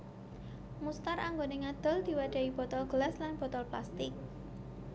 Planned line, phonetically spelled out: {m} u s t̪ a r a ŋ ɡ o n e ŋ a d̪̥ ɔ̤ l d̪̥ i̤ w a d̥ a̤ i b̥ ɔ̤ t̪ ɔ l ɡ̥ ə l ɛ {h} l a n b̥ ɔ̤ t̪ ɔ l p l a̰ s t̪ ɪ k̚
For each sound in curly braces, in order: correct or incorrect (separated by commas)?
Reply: correct, incorrect